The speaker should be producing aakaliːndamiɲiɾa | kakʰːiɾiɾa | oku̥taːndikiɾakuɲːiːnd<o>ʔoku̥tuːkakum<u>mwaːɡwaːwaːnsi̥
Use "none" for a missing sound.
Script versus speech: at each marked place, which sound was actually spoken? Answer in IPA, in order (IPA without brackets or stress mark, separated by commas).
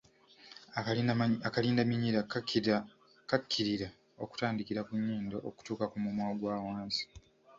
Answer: o, u